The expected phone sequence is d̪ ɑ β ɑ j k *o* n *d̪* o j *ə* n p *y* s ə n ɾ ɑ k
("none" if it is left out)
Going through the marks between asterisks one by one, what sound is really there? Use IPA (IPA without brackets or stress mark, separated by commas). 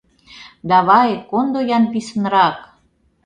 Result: o, d̪, ɑ, i